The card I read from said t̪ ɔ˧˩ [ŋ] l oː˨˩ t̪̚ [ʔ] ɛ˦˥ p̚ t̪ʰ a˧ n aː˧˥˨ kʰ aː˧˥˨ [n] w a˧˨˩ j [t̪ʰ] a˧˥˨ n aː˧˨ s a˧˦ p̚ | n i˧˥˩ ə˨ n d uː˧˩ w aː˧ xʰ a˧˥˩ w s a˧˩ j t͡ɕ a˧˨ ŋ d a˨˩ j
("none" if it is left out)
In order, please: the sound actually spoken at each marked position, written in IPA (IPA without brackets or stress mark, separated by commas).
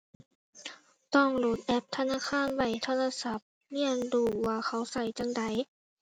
ŋ, ʔ, n, t̪ʰ